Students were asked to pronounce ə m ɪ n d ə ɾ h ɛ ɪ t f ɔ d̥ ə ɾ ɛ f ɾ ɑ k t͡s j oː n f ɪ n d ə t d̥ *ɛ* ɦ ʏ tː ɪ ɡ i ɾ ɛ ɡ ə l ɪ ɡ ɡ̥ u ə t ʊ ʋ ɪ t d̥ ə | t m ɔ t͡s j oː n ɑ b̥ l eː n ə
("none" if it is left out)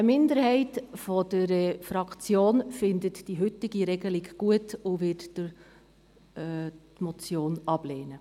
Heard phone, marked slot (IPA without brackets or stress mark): i